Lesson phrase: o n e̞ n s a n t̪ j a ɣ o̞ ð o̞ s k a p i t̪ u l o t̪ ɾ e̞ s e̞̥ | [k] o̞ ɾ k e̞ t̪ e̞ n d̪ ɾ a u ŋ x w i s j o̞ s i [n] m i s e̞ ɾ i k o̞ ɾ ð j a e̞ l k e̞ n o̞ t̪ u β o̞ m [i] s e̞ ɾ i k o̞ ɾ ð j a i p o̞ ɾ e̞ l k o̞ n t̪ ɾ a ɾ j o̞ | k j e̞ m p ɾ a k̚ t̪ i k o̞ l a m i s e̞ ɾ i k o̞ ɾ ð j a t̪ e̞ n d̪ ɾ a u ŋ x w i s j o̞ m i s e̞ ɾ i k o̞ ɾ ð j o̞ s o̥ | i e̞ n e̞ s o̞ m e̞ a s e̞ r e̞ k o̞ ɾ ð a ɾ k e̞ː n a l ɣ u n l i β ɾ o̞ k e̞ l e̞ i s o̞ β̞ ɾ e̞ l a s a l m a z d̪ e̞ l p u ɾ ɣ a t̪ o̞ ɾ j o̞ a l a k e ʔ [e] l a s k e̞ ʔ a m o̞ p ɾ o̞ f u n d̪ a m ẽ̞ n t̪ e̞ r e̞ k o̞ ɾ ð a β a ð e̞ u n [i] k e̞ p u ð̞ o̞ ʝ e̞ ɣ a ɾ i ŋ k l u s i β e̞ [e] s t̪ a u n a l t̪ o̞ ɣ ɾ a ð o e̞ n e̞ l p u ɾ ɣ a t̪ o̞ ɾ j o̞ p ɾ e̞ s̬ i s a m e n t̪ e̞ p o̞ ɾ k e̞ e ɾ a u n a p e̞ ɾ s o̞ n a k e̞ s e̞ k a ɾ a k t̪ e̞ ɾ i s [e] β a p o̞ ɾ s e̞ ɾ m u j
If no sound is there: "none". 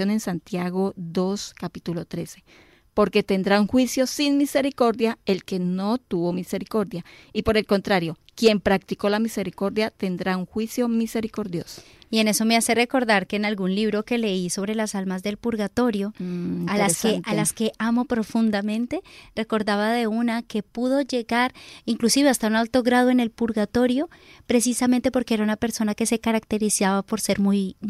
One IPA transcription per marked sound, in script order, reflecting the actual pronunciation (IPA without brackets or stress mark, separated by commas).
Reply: p, n, i, a, a, a, a